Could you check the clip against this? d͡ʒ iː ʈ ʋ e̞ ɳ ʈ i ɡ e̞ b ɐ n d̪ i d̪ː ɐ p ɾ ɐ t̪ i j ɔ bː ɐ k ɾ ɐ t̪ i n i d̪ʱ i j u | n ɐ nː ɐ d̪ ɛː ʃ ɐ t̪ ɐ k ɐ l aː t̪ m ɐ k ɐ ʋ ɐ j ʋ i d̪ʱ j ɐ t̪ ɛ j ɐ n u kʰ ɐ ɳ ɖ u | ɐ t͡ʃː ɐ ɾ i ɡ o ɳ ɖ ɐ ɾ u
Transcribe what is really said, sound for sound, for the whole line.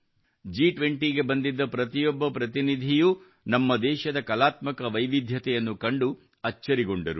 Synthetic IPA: d͡ʒ iː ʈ ʋ e̞ ɳ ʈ i ɡ e̞ b ɐ n d̪ i d̪ː ɐ p ɾ ɐ t̪ i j ɔ bː ɐ p ɾ ɐ t̪ i n i d̪ʱ i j u | n ɐ mː ɐ d̪ ɛː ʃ ɐ d̪ ɐ k ɐ l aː t̪ m ɐ k ɐ ʋ ɐ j ʋ i d̪ʱ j ɐ t̪ ɛ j ɐ nː u k ɐ ɳ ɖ u | ɐ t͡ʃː ɐ ɾ i ɡ o ɳ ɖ ɐ ɾ u